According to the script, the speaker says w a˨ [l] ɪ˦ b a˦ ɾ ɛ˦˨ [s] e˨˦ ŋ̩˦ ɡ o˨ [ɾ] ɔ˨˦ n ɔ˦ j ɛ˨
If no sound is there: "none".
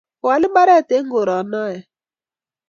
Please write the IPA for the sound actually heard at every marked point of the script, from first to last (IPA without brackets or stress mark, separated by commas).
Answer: l, t, ɾ